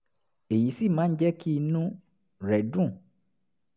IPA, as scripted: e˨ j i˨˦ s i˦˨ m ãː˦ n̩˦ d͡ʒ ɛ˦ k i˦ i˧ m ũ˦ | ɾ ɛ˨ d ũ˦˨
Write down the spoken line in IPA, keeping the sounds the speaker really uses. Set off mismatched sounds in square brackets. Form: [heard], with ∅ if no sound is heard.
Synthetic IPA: e˨ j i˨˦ s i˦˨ m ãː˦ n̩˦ d͡ʒ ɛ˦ k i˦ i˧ [n] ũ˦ | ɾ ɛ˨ d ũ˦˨